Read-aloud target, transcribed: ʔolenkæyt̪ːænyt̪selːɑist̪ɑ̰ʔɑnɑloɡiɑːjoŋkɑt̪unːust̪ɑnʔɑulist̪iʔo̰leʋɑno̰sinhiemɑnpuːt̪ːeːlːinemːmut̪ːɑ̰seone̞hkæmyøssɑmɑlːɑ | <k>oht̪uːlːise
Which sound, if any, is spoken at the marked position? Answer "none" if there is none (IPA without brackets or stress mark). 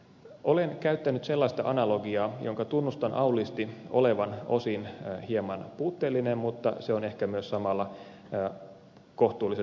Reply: k